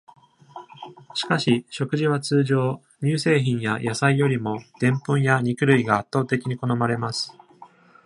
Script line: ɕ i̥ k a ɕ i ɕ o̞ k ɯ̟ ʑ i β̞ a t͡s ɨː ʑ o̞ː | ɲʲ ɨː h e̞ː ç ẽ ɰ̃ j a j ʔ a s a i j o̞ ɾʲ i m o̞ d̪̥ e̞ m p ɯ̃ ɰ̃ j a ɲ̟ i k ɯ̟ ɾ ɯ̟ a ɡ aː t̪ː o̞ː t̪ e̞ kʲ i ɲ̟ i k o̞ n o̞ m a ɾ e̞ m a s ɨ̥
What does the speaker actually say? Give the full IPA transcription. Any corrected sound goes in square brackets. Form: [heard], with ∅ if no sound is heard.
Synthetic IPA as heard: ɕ i̥ k a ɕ i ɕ o̞ k ɯ̟ ʑ i β̞ a t͡s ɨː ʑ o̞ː | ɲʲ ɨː [s] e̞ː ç [ĩ] ɰ̃ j a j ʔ a s a i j o̞ ɾʲ i m o̞ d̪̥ [ẽ̞] m p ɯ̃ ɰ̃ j a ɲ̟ i k ɯ̟ ɾ ɯ̟ [i] ɡ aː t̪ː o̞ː t̪ e̞ kʲ i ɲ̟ i k o̞ n o̞ m a ɾ e̞ m a s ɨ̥